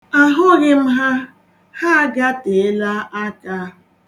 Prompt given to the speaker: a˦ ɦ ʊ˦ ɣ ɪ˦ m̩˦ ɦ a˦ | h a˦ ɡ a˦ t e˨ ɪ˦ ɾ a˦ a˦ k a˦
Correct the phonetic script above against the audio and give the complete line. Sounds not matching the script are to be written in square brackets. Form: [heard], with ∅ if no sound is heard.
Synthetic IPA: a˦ ɦ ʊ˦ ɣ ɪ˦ m̩˦ ɦ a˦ | h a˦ ɡ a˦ t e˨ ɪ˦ [l] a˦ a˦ k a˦